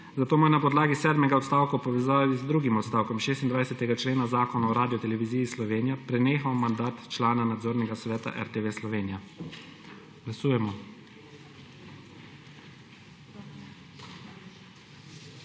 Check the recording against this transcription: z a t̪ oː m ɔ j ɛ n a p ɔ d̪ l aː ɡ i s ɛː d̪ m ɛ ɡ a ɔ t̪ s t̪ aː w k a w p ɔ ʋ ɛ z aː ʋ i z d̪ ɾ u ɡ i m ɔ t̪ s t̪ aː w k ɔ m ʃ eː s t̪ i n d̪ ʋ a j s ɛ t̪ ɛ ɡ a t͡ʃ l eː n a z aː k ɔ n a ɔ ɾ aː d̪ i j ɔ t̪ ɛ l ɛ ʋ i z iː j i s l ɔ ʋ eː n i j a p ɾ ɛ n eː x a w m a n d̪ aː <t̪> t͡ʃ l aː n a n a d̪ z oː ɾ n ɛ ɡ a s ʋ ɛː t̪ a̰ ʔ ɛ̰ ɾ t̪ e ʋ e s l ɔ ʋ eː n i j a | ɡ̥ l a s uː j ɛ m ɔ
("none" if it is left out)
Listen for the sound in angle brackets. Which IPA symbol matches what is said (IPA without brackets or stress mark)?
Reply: t̪